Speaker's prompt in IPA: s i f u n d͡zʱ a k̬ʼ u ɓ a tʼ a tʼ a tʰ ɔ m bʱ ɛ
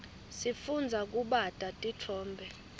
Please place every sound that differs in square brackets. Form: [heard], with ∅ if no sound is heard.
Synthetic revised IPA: s i f u n d͡zʱ a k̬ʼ u ɓ a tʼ a tʼ [i] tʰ [ɔː] m bʱ ɛ